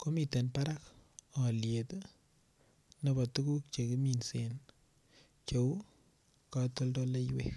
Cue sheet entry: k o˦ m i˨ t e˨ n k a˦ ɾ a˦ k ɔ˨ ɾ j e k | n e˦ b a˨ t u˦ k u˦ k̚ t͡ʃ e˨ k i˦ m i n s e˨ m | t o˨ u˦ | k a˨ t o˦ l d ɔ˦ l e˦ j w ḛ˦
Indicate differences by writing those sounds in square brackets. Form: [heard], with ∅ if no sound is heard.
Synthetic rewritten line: k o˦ m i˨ t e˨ n [p] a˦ ɾ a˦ k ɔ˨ [l] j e [t] | n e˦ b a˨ t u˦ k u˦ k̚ t͡ʃ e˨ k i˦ m i n s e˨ [n] | [t͡ʃ] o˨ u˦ | k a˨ t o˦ l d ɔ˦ l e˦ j w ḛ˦